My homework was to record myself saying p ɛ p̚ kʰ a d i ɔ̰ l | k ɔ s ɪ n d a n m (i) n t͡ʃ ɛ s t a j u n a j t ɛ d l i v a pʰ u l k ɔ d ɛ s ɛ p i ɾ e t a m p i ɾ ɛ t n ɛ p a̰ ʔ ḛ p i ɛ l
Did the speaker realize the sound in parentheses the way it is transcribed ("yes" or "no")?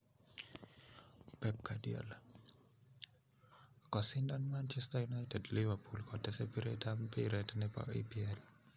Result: no